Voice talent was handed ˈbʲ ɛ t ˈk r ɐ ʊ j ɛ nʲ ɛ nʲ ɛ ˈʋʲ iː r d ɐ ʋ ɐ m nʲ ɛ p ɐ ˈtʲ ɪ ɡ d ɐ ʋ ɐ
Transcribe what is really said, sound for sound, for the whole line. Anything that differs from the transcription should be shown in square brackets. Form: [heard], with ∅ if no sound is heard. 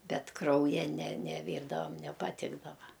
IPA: ˈbʲ ɛ t ˈk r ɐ ʊ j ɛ nʲ ɛ nʲ ɛ ˈʋʲ iː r d ɐ ʋ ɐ m nʲ ɛ p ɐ ˈtʲ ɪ ɡ d ɐ ʋ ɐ